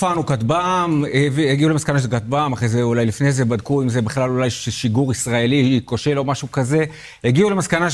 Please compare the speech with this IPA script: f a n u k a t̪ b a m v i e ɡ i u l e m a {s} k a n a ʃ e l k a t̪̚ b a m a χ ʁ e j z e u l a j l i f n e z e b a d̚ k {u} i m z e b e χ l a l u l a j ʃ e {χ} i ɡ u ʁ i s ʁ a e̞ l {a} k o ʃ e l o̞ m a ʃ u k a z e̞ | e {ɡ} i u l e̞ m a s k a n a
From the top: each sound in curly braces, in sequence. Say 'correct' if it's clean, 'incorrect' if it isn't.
correct, correct, incorrect: ʃ, incorrect: i, correct

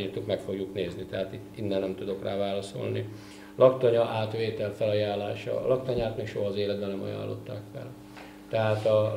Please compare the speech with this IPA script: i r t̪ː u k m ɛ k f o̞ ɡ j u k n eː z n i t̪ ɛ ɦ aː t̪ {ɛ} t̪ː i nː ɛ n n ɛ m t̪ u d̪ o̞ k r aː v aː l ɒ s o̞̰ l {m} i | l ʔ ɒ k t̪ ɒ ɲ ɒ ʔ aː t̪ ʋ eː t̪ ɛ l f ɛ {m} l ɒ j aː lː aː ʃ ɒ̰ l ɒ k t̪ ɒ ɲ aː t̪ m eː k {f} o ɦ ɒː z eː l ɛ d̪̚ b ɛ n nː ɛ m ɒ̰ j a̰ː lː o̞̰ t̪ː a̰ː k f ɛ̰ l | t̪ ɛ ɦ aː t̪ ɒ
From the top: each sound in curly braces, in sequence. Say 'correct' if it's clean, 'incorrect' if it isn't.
incorrect: i, incorrect: n, incorrect: none, incorrect: ʃ

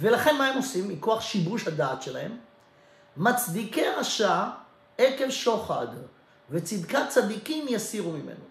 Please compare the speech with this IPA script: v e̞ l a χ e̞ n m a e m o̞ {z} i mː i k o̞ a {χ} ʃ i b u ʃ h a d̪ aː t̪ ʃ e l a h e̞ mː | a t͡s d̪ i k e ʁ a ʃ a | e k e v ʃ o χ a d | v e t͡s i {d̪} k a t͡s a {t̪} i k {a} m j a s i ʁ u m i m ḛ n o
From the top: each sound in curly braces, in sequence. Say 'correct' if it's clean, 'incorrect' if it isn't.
incorrect: s, correct, correct, incorrect: d̪, incorrect: i

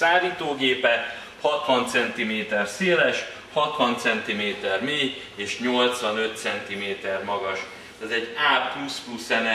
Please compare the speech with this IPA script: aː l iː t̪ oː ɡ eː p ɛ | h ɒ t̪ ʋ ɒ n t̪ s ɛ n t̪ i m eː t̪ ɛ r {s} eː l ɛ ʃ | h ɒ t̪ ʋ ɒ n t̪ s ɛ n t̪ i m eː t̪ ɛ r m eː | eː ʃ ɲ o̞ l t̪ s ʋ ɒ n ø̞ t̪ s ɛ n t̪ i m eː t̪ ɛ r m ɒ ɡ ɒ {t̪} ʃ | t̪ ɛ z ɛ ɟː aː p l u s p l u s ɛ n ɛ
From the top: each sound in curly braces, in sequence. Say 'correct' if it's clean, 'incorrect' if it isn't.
correct, incorrect: none

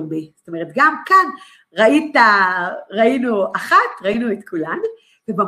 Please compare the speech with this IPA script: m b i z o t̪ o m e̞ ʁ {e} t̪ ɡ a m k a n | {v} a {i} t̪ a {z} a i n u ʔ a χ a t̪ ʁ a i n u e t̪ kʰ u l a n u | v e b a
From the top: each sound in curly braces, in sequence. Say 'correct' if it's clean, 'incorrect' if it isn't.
correct, incorrect: ʁ, correct, incorrect: ʁ

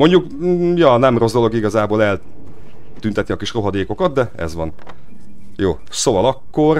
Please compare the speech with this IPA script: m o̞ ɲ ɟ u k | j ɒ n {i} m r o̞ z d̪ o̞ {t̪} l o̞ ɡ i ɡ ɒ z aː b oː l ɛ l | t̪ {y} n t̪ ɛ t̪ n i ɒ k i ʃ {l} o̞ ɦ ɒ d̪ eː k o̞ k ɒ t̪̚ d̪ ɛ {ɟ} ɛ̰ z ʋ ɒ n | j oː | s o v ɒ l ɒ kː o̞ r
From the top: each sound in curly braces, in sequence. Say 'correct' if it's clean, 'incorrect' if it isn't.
incorrect: ɛ, incorrect: none, correct, incorrect: r, incorrect: none

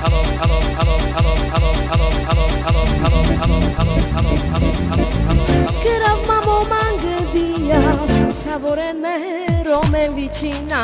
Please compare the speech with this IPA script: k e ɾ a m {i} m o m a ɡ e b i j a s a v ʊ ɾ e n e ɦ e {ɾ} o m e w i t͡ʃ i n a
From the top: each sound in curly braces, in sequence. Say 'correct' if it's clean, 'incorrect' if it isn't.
incorrect: a, correct

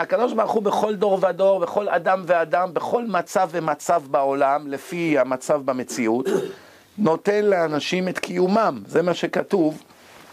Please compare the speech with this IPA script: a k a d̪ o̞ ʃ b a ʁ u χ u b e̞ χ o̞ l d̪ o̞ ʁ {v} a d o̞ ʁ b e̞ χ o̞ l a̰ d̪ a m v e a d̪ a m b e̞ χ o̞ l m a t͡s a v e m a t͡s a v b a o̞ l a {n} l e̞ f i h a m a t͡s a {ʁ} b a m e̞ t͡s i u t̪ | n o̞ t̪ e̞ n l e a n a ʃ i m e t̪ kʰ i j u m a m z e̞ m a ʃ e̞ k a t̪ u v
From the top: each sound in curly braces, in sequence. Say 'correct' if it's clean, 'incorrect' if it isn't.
correct, incorrect: m, incorrect: v

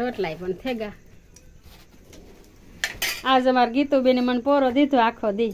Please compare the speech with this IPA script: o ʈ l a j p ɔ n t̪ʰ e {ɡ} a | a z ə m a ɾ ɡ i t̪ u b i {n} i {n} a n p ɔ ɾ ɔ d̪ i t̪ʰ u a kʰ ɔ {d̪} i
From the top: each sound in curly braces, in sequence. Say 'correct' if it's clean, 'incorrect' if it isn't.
correct, correct, incorrect: m, correct

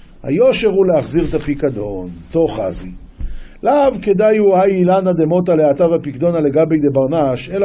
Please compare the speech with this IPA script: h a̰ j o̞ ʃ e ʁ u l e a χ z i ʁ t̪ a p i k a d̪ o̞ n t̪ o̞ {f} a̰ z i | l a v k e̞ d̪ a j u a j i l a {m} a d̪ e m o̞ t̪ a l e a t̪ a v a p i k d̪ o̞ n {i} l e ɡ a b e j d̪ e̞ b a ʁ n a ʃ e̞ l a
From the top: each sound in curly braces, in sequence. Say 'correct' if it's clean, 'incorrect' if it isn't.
incorrect: χ, incorrect: n, incorrect: a

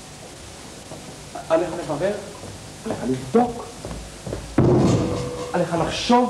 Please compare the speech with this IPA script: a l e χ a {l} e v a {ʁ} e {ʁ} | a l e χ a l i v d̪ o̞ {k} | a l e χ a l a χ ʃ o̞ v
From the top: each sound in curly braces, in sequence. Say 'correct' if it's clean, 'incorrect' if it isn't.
correct, correct, correct, correct

